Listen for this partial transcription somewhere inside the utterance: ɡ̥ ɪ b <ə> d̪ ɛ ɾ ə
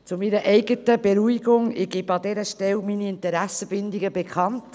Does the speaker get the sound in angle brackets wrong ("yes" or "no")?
yes